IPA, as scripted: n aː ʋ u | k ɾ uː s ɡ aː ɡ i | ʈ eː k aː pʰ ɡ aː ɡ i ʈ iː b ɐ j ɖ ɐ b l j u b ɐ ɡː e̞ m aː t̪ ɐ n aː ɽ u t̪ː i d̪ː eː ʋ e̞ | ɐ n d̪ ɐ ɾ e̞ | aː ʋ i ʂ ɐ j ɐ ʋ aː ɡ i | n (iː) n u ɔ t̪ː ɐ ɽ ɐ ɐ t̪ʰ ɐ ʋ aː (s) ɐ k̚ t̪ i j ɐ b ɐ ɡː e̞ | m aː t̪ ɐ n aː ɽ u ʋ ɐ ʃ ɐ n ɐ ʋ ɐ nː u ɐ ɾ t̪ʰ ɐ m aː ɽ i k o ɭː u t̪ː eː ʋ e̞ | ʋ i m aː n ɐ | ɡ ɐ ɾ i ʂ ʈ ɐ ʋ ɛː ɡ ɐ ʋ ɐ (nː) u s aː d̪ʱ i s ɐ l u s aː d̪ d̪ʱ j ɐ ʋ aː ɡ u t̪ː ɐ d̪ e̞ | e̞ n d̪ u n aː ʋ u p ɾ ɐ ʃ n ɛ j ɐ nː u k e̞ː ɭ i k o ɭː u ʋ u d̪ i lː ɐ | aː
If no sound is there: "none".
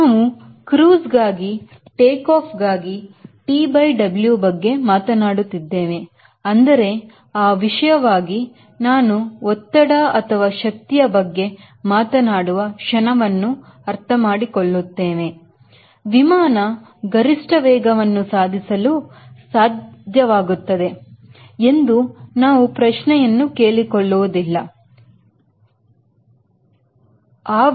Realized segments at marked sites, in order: aː, ʃ, nː

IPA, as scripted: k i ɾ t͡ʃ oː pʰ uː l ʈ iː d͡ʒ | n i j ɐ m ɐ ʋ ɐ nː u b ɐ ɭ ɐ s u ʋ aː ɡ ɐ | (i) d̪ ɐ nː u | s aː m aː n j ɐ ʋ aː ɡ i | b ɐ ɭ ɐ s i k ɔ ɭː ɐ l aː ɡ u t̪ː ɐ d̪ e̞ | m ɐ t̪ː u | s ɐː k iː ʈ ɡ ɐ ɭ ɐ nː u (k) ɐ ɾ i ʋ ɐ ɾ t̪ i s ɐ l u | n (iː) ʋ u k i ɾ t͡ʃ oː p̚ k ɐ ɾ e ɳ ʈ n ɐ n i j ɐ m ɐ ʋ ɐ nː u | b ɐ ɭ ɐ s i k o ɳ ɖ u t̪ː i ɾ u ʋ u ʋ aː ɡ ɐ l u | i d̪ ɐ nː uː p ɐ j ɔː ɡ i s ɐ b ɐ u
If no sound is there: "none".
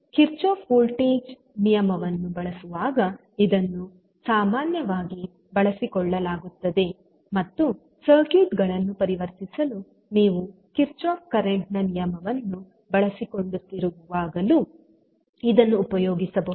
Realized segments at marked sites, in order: i, p, iː

